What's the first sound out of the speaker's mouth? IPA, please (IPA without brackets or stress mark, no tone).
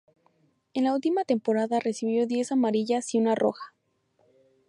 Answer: e̞